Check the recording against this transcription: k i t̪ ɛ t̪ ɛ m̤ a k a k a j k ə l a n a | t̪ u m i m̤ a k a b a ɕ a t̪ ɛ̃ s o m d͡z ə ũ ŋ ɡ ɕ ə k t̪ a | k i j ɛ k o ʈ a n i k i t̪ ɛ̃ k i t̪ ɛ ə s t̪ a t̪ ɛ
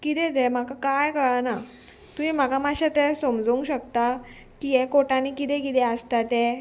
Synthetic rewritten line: k i t̪ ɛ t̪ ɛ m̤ a k a k a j k ə ɭ a n a | t̪ u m i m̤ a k a m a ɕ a t̪ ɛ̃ s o m d͡z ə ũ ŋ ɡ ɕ ə k t̪ a | k i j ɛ k o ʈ a n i k i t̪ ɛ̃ k i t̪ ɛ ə s t̪ a t̪ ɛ